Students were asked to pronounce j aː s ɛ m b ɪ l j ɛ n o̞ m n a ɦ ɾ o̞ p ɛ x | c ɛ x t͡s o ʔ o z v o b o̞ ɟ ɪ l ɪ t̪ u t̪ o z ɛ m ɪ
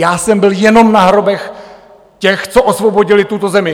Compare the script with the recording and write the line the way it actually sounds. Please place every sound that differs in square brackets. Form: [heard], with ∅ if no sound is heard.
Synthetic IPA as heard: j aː s ɛ m b ɪ l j ɛ n o̞ m n a ɦ ɾ o̞ [b] ɛ x | c ɛ x t͡s o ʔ o [s] v o b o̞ ɟ ɪ l ɪ t̪ u t̪ o z ɛ m ɪ